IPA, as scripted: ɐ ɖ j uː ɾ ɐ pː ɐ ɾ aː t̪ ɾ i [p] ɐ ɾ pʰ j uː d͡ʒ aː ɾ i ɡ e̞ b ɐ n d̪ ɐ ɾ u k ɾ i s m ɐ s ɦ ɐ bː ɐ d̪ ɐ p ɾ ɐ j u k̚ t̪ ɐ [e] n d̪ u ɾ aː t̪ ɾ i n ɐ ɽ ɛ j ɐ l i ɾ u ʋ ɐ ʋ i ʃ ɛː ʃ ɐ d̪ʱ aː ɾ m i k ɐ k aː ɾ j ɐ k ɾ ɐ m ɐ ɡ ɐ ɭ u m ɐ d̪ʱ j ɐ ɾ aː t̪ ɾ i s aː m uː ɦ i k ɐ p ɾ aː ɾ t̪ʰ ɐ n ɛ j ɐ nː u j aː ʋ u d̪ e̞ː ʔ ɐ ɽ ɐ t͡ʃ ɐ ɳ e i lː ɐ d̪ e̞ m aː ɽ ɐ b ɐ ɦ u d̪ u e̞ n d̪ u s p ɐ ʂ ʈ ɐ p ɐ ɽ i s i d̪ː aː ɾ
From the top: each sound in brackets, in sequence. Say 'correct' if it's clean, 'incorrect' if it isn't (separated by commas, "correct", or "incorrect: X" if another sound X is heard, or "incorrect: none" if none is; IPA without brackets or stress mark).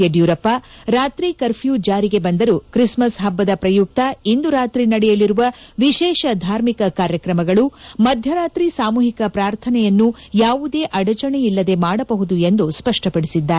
incorrect: k, incorrect: i